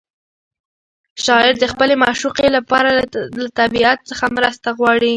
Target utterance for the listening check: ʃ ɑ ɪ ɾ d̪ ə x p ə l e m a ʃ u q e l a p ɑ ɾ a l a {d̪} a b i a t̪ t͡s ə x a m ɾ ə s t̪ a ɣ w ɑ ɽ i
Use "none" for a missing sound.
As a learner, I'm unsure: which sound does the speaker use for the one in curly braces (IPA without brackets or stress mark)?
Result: t̪